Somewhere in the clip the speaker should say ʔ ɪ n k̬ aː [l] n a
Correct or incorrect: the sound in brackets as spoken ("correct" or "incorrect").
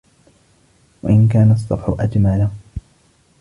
incorrect